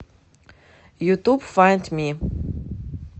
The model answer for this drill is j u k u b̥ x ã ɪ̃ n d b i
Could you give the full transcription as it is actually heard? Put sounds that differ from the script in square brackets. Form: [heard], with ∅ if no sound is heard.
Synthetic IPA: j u [t] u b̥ [f] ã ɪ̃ n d [m] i